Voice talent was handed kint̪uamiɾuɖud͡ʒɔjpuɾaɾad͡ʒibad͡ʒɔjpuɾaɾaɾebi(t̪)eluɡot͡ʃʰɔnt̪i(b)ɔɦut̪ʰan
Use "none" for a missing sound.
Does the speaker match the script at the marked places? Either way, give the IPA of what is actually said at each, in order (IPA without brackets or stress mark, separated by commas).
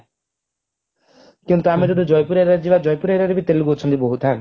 t̪, b